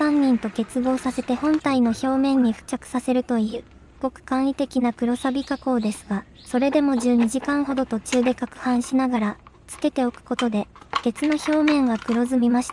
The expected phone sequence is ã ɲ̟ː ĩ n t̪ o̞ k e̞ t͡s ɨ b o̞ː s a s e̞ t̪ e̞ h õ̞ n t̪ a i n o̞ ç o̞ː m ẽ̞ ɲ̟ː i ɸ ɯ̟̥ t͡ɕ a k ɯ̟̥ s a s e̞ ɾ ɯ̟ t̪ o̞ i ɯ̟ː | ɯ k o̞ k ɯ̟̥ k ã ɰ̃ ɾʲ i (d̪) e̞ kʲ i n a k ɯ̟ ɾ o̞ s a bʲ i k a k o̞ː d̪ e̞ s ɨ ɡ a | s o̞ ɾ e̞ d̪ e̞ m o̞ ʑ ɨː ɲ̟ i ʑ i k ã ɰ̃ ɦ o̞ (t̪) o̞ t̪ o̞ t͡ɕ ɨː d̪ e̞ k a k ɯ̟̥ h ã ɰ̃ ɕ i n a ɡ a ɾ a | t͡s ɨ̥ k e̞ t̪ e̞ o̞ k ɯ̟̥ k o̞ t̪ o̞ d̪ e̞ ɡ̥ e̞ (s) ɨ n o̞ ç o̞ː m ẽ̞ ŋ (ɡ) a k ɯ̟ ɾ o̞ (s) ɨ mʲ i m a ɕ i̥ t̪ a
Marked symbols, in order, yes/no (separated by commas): no, no, no, yes, no